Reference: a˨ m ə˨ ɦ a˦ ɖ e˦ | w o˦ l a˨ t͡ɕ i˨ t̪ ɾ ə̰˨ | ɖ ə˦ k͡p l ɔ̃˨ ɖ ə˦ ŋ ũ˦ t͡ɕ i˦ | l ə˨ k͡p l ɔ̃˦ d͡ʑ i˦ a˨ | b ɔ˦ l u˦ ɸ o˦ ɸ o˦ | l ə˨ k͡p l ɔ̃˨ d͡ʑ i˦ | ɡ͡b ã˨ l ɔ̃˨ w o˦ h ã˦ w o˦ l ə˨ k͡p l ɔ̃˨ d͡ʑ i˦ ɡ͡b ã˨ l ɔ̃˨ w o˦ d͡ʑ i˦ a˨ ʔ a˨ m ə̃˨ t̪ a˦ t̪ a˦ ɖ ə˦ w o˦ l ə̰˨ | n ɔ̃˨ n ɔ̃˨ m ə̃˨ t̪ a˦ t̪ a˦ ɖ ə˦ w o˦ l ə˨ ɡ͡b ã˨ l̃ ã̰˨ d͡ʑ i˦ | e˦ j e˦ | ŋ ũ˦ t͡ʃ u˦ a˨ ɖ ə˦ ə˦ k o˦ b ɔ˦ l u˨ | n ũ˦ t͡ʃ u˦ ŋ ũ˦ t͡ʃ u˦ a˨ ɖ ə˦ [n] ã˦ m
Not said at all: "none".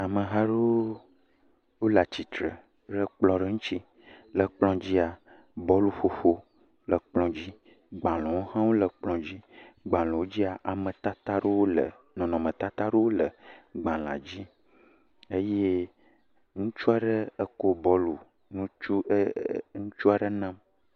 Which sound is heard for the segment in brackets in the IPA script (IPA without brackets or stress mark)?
n